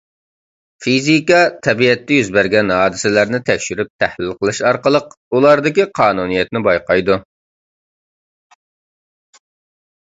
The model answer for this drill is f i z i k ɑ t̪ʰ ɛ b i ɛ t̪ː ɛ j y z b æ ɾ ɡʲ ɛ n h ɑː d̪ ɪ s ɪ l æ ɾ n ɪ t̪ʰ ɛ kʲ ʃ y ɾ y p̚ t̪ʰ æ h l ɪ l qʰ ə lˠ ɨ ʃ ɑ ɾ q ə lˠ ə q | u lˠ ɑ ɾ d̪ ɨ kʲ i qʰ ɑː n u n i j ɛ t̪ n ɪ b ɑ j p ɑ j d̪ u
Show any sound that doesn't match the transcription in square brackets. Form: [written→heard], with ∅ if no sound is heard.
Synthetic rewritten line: f i z i k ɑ t̪ʰ ɛ b i ɛ t̪ː ɛ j y z b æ ɾ ɡʲ ɛ n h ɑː d̪ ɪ s ɪ l æ ɾ n ɪ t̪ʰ ɛ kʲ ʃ y ɾ y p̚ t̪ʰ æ h l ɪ l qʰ ə lˠ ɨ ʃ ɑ ɾ q ə lˠ ə q | u lˠ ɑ ɾ d̪ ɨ kʲ i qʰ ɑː n u n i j ɛ t̪ n ɪ b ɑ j [p→q] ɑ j d̪ u